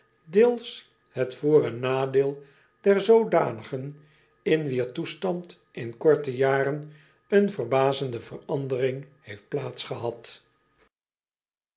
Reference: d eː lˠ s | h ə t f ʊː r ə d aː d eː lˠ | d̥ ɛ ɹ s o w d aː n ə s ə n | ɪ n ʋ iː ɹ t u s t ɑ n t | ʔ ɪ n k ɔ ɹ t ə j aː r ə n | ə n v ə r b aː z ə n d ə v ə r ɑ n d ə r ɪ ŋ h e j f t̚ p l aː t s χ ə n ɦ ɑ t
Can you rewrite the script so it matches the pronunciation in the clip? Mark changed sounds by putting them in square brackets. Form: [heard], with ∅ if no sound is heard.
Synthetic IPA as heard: d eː lˠ s | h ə t f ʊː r ə [n] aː d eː lˠ | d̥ ɛ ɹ [z] o w d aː n ə [χ] ə n | ɪ n ʋ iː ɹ t u s t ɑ n t | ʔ ɪ n k ɔ ɹ t ə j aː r ə n | ə n v ə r b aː z ə n d ə v ə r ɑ n d ə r ɪ ŋ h e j f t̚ p l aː t s χ ə [∅] ɦ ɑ t